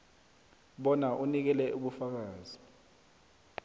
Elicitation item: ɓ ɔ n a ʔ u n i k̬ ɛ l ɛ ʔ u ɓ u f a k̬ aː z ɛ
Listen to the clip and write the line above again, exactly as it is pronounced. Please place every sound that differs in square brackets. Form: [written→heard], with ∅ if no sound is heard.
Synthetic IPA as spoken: ɓ ɔ n a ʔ u n i k̬ ɛ l ɛ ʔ u ɓ u f a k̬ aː z [ɛ→i]